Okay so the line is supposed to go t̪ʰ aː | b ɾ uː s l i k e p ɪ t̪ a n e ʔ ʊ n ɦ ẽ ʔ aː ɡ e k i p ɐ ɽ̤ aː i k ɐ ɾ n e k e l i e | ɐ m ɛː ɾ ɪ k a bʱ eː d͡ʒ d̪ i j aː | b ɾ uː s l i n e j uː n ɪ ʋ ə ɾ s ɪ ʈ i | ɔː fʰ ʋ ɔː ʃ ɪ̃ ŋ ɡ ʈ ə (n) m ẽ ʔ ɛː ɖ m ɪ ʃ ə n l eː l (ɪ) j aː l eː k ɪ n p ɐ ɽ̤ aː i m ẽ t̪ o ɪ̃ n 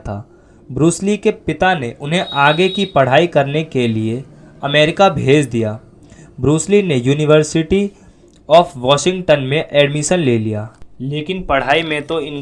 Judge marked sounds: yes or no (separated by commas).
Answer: yes, no